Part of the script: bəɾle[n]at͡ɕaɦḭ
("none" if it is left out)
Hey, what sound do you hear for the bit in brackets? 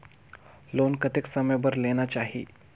n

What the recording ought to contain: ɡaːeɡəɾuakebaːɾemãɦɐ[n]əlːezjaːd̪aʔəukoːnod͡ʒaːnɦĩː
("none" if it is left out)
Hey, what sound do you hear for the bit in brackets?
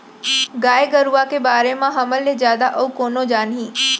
m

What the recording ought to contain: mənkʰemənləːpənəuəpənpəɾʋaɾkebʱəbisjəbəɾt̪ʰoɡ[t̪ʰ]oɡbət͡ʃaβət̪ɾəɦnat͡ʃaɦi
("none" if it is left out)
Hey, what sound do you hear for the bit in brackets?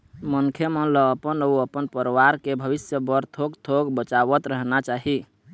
t̪ʰ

